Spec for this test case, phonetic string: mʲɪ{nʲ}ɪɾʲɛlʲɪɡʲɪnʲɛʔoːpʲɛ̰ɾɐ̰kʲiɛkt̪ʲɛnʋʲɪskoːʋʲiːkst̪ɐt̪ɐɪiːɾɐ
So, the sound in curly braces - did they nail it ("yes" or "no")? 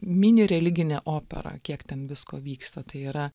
yes